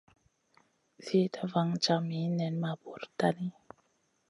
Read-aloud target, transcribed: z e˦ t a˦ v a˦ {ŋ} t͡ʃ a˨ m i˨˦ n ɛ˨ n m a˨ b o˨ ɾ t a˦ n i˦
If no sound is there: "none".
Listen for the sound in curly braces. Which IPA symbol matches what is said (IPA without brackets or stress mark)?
ŋ